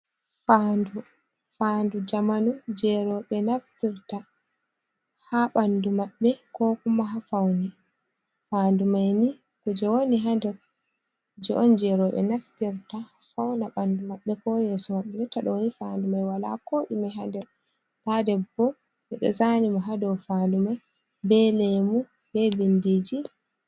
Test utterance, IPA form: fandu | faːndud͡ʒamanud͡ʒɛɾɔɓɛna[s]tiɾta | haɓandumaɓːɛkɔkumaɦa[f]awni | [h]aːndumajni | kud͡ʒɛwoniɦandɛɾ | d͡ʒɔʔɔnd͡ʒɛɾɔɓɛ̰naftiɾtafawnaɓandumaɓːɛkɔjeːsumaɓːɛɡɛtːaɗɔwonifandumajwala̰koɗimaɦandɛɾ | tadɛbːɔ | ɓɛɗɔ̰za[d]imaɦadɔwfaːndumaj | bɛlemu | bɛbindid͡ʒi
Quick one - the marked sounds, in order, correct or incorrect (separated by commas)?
incorrect, correct, incorrect, incorrect